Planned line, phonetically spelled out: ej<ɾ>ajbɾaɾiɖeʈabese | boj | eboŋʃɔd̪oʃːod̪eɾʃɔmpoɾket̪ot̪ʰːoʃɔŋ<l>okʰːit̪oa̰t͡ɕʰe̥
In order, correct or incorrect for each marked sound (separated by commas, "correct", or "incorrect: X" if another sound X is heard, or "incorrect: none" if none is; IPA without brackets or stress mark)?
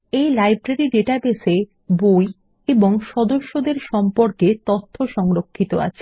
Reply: incorrect: l, incorrect: ɾ